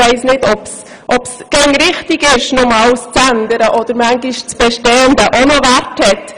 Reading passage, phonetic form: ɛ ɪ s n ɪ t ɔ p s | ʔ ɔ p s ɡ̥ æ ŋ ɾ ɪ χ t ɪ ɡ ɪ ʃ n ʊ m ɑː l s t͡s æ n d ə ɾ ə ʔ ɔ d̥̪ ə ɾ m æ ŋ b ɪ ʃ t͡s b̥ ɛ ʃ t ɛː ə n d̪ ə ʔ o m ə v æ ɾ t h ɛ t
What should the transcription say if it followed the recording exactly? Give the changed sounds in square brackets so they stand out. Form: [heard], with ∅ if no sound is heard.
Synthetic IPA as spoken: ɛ ɪ s n ɪ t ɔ p s | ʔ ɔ p s ɡ̥ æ ŋ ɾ ɪ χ t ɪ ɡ ɪ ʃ n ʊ m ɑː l s t͡s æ n d ə ɾ ə ʔ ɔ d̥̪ ə ɾ m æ ŋ [ɡ] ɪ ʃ t͡s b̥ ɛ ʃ t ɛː ə n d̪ ə ʔ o [n] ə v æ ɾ t h ɛ t